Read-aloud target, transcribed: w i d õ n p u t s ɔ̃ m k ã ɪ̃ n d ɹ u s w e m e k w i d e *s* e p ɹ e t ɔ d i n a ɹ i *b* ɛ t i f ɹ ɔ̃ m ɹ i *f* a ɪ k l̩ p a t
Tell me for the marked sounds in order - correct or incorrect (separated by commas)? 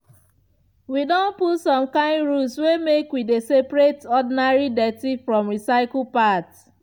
correct, incorrect, incorrect